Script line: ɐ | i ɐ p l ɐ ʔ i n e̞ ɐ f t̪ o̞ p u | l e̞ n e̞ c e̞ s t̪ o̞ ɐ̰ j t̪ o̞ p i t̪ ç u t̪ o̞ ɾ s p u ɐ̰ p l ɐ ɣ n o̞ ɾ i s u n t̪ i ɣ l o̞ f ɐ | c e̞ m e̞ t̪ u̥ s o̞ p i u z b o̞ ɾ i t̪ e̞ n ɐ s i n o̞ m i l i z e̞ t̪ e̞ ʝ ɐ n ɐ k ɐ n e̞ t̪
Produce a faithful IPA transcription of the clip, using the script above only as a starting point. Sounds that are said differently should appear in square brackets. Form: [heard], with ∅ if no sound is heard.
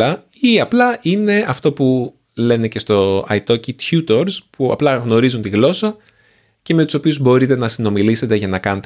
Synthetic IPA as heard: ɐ | i ɐ p l ɐ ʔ i n e̞ ɐ f t̪ o̞ p u | l e̞ n e̞ c e̞ s t̪ o̞ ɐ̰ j t̪ o̞ [c] i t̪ ç u t̪ o̞ ɾ s p u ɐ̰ p l ɐ ɣ n o̞ ɾ i [z] u n t̪ i ɣ l o̞ [s] ɐ | c e̞ m e̞ t̪ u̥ s o̞ p i u z b o̞ ɾ i t̪ e̞ n ɐ s i n o̞ m i l i [s] e̞ t̪ e̞ ʝ ɐ n ɐ k ɐ n e̞ t̪